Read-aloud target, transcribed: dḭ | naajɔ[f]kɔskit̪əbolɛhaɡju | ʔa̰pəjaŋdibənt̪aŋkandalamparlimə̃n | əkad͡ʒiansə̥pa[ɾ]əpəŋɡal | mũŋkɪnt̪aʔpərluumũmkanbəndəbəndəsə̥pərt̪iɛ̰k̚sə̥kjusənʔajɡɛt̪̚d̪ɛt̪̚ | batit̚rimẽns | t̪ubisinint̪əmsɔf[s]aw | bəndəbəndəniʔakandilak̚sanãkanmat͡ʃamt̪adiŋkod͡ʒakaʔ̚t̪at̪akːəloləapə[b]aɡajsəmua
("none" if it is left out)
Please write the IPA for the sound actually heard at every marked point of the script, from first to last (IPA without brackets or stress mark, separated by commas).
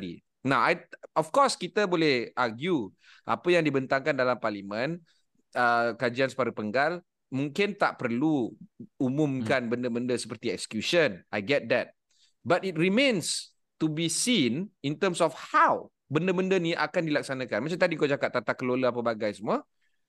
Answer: f, ɾ, h, b